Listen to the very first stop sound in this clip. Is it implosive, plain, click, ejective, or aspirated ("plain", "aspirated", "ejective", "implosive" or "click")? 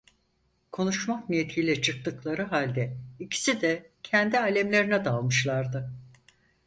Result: aspirated